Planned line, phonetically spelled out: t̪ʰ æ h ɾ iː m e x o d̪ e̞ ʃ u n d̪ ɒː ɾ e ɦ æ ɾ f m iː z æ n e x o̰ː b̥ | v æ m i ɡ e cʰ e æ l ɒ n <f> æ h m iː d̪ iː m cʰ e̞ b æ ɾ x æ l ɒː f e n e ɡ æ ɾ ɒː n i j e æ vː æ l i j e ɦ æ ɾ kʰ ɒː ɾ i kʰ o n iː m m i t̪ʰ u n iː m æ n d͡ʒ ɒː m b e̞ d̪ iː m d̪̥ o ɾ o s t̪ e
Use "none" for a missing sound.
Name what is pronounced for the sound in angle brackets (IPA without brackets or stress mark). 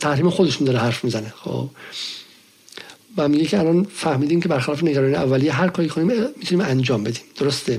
f